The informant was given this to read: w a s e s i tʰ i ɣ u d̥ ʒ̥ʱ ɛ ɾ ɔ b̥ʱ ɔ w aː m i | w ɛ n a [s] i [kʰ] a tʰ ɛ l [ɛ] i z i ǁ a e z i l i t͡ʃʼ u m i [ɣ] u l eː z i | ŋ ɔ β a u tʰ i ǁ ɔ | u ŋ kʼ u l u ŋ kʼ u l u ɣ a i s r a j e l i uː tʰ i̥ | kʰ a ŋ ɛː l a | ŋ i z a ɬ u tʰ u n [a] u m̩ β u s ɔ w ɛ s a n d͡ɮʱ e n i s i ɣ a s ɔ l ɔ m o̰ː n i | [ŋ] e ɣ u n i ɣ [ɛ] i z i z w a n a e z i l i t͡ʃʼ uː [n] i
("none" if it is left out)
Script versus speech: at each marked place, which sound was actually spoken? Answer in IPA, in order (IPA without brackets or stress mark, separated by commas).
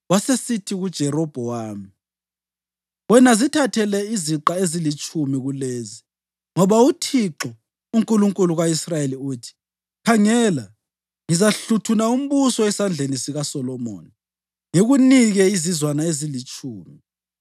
z, tʰ, ɛ, ɣ, a, ŋ, ɛ, m